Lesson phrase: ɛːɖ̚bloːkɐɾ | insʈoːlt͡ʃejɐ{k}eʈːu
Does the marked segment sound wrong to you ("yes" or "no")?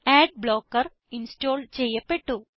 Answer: yes